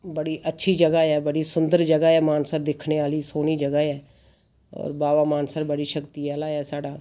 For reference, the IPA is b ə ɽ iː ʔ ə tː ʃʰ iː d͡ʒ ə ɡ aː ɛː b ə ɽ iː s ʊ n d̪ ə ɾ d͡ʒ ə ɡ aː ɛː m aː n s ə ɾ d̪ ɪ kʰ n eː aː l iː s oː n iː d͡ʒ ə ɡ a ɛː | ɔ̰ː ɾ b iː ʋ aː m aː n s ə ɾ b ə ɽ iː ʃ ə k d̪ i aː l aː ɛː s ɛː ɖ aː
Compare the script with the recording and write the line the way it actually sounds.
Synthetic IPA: b ə ɽ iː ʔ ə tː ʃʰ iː d͡ʒ ə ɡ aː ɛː b ə ɽ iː s ʊ n d̪ ə ɾ d͡ʒ ə ɡ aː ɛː m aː n s ə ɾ d̪ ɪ kʰ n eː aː l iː s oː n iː d͡ʒ ə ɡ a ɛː | ɔ̰ː ɾ b aː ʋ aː m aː n s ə ɾ b ə ɽ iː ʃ ə k t̪ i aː l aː ɛː s aː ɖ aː